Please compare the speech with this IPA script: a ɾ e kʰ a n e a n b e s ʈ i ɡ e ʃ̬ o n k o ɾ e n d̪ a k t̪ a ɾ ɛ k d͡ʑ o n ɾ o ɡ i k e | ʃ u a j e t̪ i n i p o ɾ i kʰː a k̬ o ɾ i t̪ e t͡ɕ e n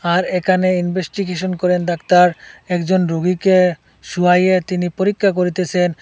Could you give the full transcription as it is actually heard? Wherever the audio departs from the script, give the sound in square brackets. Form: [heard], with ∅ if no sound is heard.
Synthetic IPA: a ɾ e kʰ a n e [i] n b e s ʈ i ɡ e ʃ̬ o n k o ɾ e n d̪ a k t̪ a ɾ ɛ k d͡ʑ o n ɾ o ɡ i k e | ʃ u a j e t̪ i n i p o ɾ i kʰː a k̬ o ɾ i t̪ e [t͡ɕʰ] e n